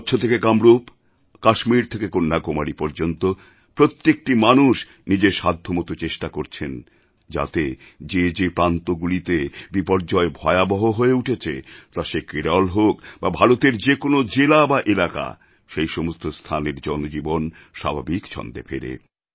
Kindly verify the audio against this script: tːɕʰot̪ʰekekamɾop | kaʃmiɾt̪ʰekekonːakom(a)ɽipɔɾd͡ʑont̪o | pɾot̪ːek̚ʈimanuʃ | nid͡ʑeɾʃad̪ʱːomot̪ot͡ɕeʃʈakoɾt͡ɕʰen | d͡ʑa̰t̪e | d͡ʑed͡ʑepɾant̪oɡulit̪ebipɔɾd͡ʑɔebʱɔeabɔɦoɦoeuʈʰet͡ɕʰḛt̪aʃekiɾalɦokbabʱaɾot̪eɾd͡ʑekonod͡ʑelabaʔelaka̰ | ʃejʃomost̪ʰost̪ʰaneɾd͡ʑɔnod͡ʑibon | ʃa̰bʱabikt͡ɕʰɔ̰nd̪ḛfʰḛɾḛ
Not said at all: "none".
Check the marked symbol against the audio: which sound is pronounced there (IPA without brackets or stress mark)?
a